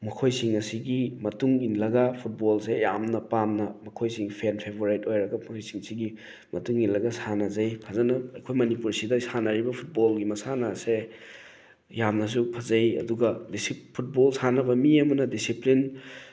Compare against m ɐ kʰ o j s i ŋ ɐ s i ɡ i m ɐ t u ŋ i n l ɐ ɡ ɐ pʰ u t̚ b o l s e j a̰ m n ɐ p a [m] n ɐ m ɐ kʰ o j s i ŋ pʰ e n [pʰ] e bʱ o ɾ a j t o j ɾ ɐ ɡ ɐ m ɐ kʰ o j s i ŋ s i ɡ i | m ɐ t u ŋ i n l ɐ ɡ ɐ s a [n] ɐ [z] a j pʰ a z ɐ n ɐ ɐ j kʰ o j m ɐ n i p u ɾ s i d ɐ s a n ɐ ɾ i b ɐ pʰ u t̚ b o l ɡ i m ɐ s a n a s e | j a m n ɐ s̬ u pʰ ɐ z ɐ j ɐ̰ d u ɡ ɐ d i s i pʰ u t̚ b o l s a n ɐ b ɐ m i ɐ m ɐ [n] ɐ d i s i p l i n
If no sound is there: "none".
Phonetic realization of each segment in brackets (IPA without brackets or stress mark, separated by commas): m, pʰ, n, z, n